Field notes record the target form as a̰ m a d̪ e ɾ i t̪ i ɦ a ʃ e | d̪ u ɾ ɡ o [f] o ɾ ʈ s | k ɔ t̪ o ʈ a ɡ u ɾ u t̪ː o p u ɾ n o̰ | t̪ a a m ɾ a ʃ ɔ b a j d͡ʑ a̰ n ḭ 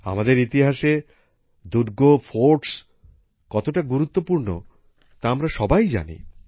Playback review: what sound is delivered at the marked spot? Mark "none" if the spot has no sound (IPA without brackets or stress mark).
f